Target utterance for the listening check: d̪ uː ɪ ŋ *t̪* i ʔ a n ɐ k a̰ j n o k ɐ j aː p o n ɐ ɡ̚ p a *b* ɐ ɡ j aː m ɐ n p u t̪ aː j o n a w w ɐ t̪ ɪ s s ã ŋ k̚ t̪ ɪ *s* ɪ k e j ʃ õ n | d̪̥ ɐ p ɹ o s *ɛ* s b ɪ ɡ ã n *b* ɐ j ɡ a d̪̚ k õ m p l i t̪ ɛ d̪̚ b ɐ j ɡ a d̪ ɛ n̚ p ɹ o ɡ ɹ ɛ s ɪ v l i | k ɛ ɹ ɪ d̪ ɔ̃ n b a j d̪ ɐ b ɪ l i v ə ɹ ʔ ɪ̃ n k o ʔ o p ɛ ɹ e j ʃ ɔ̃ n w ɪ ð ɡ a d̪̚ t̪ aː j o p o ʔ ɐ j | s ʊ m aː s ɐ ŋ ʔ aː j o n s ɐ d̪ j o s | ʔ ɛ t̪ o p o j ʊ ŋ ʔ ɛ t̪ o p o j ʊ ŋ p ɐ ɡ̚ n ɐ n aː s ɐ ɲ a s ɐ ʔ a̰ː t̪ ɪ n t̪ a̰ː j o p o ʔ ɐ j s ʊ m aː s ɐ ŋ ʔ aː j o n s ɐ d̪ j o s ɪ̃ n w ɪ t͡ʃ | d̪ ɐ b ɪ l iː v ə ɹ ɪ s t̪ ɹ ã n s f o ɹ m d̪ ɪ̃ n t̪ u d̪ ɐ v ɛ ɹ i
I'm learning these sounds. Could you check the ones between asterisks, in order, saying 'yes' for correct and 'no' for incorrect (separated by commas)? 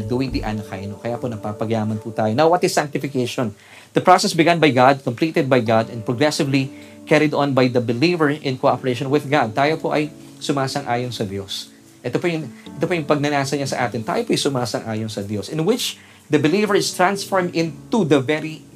no, no, no, yes, yes